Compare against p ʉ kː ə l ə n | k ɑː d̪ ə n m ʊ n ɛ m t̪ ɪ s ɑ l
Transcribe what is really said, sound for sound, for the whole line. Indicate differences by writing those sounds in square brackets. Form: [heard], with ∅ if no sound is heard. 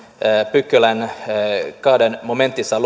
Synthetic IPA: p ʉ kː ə l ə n | k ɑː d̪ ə n m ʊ [m] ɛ [n] t̪ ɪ s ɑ l

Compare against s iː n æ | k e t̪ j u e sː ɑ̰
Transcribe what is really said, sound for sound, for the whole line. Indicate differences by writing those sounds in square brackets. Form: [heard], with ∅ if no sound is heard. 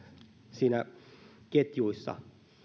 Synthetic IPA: s iː n æ | k e t̪ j u [i] sː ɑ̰

